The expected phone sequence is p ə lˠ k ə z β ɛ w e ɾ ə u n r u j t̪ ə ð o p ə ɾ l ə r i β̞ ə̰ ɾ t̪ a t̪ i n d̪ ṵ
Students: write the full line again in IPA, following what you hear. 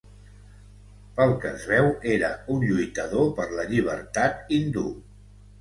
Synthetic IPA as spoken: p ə lˠ k ə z β ɛ w e ɾ ə u n ʎ u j t̪ ə ð o p ə ɾ l ə ʎ i β̞ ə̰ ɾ t̪ a t̪ i n d̪ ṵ